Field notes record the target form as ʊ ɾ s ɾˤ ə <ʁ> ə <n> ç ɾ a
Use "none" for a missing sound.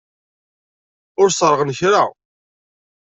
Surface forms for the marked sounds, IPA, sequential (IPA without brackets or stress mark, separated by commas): ʁ, n